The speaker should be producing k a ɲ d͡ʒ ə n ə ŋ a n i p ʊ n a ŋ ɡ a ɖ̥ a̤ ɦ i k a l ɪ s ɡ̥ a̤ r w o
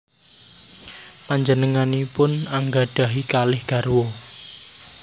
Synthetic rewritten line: p a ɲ d͡ʒ ə n ə ŋ a n i p ʊ n a ŋ ɡ a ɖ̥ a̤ ɦ i k a l ɪ h ɡ̥ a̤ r w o